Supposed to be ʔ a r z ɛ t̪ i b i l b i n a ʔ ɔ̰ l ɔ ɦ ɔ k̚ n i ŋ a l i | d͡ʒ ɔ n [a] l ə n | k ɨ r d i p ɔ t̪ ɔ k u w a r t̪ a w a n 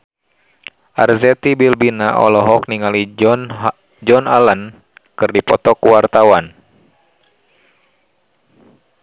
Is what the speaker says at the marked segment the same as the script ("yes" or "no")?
yes